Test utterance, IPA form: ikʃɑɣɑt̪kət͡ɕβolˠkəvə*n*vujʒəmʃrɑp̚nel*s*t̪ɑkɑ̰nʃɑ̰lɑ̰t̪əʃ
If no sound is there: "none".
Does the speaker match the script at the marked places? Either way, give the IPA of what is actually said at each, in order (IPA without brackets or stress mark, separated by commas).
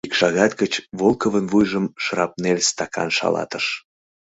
n, s